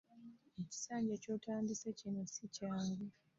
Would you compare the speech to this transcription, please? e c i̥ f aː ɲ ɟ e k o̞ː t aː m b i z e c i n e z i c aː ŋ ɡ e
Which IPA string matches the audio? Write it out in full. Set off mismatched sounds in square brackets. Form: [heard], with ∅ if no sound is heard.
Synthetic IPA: e c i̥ [s] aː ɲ ɟ e [c] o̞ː t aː m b i [s] e c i n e [s] i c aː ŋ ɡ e